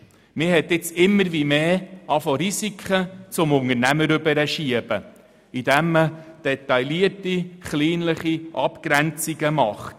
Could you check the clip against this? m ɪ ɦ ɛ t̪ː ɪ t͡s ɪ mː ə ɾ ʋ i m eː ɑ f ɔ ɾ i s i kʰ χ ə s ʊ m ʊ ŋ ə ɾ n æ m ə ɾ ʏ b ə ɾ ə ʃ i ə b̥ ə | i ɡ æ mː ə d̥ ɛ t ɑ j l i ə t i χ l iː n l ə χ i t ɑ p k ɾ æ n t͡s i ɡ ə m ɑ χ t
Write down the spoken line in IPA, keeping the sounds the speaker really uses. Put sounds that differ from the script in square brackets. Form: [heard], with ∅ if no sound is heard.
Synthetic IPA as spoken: m ɪ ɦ ɛ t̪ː ɪ t͡s ɪ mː ə ɾ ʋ i m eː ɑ f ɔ ɾ i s i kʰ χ ə [t͡s] ʊ m ʊ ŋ ə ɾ n æ m ə ɾ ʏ b ə ɾ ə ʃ i ə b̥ ə | i [d] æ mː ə d̥ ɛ t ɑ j l i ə t i χ l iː n l ə χ i [ʔ] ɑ p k ɾ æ n t͡s i ɡ ə m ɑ χ t